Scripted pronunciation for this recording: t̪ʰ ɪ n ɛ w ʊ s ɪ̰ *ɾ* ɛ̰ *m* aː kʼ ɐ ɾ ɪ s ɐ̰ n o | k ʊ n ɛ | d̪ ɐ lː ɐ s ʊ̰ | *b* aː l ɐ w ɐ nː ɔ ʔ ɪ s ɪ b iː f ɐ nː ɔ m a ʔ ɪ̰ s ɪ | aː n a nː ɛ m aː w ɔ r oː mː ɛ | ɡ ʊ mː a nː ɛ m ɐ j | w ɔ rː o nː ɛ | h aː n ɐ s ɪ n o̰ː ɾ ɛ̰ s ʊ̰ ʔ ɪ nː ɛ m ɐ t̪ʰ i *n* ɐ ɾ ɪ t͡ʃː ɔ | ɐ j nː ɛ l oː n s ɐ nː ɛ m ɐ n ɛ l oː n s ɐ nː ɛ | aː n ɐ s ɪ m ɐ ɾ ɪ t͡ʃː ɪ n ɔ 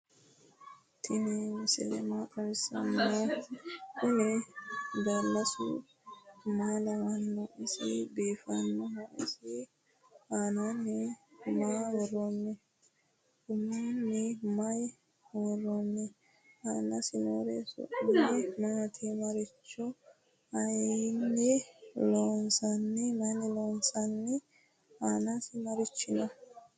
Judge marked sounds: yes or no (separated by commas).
no, yes, no, no